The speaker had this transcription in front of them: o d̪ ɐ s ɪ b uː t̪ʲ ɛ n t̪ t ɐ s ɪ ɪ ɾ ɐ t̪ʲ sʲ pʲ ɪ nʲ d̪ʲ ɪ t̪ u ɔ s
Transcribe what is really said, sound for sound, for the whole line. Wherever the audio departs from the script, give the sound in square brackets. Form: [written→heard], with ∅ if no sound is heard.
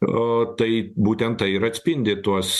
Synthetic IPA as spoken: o [d̪→t̪] ɐ [s→∅] ɪ b uː t̪ʲ ɛ n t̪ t ɐ [s→∅] ɪ ɪ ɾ ɐ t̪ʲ sʲ pʲ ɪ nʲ d̪ʲ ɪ t̪ u ɔ s

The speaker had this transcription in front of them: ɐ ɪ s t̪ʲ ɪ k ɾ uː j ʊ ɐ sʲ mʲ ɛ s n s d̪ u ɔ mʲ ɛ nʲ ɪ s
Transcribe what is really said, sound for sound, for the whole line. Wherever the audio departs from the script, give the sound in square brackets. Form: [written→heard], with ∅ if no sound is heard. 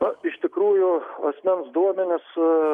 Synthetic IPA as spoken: ɐ ɪ [s→ʃ] t̪ʲ ɪ k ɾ uː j ʊ ɐ sʲ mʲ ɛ [s→∅] n s d̪ u ɔ mʲ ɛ nʲ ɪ s

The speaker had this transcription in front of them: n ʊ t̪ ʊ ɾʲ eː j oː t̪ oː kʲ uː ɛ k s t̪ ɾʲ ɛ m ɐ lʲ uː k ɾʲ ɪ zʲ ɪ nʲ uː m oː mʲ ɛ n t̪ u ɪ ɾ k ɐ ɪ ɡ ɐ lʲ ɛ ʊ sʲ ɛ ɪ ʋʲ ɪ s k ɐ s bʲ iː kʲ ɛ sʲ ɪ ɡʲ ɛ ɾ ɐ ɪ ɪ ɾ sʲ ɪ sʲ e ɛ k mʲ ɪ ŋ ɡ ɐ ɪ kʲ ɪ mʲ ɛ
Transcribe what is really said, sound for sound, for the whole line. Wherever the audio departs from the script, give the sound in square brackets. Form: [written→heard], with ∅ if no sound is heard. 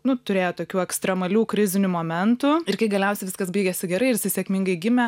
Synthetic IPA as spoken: n ʊ t̪ ʊ ɾʲ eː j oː t̪ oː kʲ uː ɛ k s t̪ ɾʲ ɛ m ɐ lʲ uː k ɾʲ ɪ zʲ ɪ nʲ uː m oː mʲ ɛ n t̪ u ɪ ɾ k ɐ ɪ ɡ ɐ lʲ ɛ ʊ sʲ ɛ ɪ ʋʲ ɪ s k ɐ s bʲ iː [kʲ→ɡʲ] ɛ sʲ ɪ ɡʲ ɛ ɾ ɐ ɪ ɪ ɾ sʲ ɪ sʲ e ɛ k mʲ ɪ ŋ ɡ ɐ ɪ [kʲ→ɡʲ] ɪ mʲ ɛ

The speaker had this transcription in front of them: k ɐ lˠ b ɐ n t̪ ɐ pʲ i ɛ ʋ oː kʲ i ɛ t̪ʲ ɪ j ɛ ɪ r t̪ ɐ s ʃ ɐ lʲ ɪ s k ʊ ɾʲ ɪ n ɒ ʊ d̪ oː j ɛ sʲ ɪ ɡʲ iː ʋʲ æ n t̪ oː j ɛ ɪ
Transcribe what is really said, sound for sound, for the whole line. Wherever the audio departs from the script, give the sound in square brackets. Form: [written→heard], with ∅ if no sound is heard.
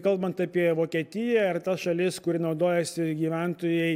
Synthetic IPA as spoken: k ɐ lˠ b ɐ n t̪ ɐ pʲ i ɛ ʋ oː kʲ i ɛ t̪ʲ ɪ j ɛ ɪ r t̪ ɐ s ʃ ɐ lʲ ɪ s k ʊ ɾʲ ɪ n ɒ ʊ d̪ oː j ɛ sʲ ɪ ɡʲ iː ʋʲ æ n t̪ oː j ɛ ɪ

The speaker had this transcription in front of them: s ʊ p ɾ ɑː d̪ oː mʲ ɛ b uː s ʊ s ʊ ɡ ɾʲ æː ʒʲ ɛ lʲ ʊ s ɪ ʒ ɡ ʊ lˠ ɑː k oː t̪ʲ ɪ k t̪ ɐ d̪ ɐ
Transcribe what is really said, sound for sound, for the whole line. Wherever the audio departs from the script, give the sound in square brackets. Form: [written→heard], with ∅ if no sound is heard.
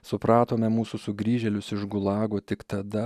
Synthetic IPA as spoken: s ʊ p ɾ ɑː [d̪→t̪] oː mʲ ɛ [b→m] uː s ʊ s ʊ ɡ ɾʲ [æː→iː] ʒʲ ɛ lʲ ʊ s ɪ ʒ ɡ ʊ lˠ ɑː [k→ɡ] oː t̪ʲ ɪ k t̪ ɐ d̪ ɐ

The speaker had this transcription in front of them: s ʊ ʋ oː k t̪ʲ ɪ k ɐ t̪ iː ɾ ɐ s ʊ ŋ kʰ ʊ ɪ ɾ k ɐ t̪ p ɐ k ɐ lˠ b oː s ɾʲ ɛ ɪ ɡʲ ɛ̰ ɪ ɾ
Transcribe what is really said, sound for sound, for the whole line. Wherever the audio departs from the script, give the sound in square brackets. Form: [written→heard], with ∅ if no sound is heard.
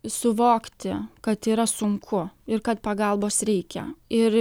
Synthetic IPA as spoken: s ʊ ʋ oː k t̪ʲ ɪ k ɐ t̪ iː ɾ ɐ s ʊ ŋ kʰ ʊ ɪ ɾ k ɐ t̪ p ɐ [k→ɡ] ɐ lˠ b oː s ɾʲ ɛ ɪ [ɡʲ→kʲ] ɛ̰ ɪ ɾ

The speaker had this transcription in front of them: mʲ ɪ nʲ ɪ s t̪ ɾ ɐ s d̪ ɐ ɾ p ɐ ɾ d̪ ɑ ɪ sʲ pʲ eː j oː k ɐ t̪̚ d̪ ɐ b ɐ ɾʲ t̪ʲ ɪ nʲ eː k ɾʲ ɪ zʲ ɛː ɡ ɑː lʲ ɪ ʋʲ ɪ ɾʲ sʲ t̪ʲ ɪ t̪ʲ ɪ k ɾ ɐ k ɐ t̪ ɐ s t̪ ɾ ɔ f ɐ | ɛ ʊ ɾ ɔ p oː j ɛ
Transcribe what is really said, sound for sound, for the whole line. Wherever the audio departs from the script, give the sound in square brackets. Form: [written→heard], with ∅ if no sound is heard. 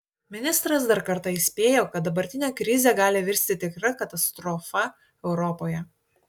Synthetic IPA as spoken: mʲ ɪ nʲ ɪ s t̪ ɾ ɐ s d̪ ɐ ɾ [p→k] ɐ ɾ [d̪→t̪] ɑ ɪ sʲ pʲ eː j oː k ɐ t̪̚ d̪ ɐ b ɐ ɾʲ t̪ʲ ɪ nʲ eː k ɾʲ ɪ zʲ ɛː ɡ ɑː lʲ ɪ ʋʲ ɪ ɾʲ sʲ t̪ʲ ɪ t̪ʲ ɪ k ɾ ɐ k ɐ t̪ ɐ s t̪ ɾ ɔ f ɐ | ɛ ʊ ɾ ɔ p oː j ɛ

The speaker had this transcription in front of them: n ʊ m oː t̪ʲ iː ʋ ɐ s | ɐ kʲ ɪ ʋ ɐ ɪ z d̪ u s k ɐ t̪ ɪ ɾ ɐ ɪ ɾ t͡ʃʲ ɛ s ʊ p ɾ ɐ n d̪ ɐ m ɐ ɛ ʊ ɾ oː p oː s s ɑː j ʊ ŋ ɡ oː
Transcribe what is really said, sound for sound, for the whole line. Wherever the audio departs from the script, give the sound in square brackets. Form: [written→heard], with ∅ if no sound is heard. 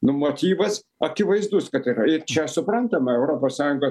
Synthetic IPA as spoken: n ʊ m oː t̪ʲ iː ʋ ɐ s | ɐ kʲ ɪ ʋ ɐ ɪ z d̪ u s k ɐ t̪ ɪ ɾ ɐ ɪ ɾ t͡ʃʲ ɛ s ʊ p ɾ ɐ n [d̪→t̪] ɐ m ɐ ɛ ʊ ɾ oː p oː s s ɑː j ʊ ŋ ɡ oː

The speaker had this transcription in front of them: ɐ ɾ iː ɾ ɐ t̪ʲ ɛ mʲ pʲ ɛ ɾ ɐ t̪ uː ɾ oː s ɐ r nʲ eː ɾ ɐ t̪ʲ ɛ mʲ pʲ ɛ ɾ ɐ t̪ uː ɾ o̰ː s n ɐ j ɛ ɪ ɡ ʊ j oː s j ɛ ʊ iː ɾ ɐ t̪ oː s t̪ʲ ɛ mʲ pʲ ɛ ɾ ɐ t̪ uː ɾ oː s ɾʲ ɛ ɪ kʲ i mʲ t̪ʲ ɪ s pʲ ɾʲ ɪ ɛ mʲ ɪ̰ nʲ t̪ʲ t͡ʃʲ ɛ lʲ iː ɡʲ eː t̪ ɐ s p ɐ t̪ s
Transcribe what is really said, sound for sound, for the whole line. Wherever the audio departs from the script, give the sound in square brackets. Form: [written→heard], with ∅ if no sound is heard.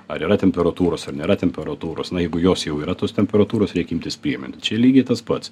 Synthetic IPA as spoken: ɐ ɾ iː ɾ ɐ t̪ʲ ɛ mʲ pʲ ɛ ɾ ɐ t̪ uː ɾ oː s ɐ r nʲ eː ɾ ɐ t̪ʲ ɛ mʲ pʲ ɛ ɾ ɐ t̪ uː ɾ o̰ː s n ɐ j ɛ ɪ ɡ ʊ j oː s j ɛ ʊ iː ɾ ɐ t̪ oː s t̪ʲ ɛ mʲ pʲ ɛ ɾ ɐ t̪ uː ɾ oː s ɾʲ ɛ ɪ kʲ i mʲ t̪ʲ ɪ s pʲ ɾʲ [ɪ→i] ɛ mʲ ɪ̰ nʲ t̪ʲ t͡ʃʲ ɛ lʲ iː ɡʲ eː t̪ ɐ s p ɐ t̪ s

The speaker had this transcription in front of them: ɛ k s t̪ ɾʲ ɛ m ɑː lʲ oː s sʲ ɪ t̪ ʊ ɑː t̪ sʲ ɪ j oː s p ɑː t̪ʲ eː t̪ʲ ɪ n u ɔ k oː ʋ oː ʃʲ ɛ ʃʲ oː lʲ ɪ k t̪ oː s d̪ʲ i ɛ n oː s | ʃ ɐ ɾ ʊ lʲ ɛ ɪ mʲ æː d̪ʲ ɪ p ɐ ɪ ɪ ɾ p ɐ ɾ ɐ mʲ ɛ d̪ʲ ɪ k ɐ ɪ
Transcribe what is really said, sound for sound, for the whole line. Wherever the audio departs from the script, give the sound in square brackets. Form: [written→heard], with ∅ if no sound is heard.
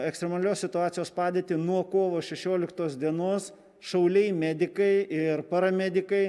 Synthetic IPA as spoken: ɛ k s t̪ ɾʲ ɛ m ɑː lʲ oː s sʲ ɪ t̪ ʊ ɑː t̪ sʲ ɪ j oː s p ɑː [t̪ʲ→d̪ʲ] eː t̪ʲ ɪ n u ɔ k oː ʋ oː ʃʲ ɛ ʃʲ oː lʲ ɪ k t̪ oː s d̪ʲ i ɛ n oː s | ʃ ɐ [ɾ→∅] ʊ lʲ ɛ ɪ mʲ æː d̪ʲ ɪ [p→k] ɐ ɪ ɪ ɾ p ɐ ɾ ɐ mʲ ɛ d̪ʲ ɪ k ɐ ɪ

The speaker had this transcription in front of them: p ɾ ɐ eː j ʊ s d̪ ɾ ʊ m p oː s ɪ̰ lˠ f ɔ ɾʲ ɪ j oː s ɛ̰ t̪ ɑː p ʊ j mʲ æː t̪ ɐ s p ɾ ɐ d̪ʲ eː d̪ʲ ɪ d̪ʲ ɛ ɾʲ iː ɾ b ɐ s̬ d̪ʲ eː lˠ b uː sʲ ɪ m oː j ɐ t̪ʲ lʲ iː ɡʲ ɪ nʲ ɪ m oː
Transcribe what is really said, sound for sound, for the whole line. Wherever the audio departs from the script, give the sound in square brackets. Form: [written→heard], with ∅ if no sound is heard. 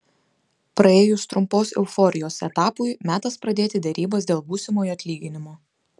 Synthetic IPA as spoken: p ɾ ɐ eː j ʊ s [d̪→t̪] ɾ ʊ m p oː s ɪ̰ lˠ f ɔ ɾʲ ɪ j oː s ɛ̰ t̪ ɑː p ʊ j mʲ æː t̪ ɐ s p ɾ ɐ d̪ʲ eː [d̪ʲ→t̪ʲ] ɪ d̪ʲ ɛ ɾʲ iː [ɾ→∅] b ɐ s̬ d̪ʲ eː lˠ b uː sʲ ɪ m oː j ɐ t̪ʲ lʲ iː ɡʲ ɪ nʲ ɪ m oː

